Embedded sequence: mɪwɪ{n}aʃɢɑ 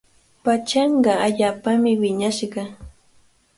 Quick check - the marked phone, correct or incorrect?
incorrect